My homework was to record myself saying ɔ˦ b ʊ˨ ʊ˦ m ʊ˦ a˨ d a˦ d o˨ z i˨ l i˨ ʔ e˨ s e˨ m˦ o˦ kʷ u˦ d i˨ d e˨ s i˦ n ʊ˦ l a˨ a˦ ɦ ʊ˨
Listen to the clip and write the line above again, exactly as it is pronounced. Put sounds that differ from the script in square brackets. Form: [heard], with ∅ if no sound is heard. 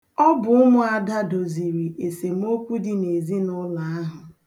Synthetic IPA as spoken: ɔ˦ b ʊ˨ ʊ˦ m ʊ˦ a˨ d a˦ d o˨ z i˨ [ɾ] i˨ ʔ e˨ s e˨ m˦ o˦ kʷ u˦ d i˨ [n] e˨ [z] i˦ n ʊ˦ l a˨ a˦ ɦ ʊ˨